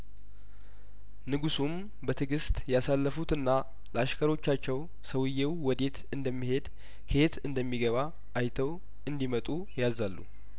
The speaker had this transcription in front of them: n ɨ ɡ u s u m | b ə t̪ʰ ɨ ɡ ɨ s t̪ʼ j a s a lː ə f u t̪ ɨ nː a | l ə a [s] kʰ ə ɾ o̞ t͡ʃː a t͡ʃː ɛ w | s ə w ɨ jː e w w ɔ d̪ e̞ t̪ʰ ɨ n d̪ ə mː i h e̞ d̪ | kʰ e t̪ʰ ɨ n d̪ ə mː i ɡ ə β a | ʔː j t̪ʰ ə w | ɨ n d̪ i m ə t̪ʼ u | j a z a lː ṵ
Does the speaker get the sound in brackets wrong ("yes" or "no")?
yes